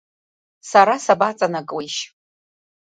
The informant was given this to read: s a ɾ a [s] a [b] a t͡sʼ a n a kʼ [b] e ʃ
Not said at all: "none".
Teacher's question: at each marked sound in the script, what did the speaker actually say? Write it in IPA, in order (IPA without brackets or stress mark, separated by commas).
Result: s, b, w